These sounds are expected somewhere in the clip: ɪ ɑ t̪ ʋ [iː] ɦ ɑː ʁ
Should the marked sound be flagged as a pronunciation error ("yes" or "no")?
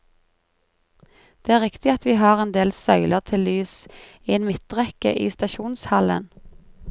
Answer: no